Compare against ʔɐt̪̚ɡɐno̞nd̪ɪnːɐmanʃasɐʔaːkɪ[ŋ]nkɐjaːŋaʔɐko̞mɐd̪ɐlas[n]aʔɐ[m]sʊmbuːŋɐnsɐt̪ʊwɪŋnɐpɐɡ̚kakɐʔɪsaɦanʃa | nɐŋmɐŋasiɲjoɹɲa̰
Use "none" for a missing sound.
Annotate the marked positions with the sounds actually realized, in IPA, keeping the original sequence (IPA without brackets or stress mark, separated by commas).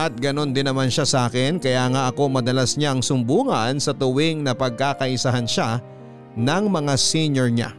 none, ɲ, ŋ